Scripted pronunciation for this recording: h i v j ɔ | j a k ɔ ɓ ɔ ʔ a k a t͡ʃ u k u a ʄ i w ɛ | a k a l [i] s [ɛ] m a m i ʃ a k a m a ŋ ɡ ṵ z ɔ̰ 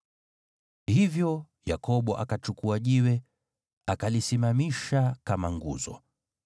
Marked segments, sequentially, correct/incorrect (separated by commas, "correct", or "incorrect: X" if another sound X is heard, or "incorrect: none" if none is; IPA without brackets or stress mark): correct, incorrect: i